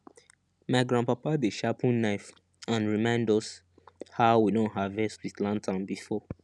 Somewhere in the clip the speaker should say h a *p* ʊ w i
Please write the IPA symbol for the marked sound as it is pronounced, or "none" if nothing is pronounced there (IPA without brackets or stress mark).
none